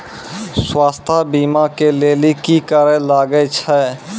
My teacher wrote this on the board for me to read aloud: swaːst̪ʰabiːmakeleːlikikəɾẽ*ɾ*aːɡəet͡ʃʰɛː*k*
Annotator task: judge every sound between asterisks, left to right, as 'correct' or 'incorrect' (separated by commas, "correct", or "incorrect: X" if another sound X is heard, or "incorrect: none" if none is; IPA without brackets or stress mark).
incorrect: l, incorrect: none